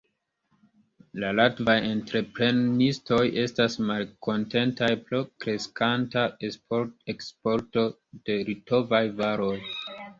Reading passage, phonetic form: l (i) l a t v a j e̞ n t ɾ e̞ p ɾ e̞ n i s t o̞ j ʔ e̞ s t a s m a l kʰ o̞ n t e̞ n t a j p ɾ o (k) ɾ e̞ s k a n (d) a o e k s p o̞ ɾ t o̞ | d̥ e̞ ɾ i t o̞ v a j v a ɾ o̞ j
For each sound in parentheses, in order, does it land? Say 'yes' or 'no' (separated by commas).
no, yes, no